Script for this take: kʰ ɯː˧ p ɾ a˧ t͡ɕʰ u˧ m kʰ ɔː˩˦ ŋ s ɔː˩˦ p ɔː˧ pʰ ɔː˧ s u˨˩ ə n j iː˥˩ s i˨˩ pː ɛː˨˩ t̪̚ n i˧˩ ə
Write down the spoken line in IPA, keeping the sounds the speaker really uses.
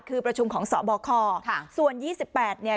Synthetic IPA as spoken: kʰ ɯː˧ p ɾ a˧ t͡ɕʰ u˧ m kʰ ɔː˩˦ ŋ s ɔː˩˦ b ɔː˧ kʰ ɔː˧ s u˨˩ ə n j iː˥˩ s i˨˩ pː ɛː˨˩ t̪̚ n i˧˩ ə